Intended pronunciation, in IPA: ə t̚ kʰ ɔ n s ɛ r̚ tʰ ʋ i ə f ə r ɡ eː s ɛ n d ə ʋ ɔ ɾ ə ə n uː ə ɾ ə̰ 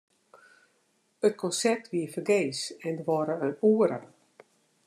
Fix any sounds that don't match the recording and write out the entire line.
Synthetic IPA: ə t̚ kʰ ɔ n s ɛ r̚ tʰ ʋ i ə f ə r ɡ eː s ɛ n d ə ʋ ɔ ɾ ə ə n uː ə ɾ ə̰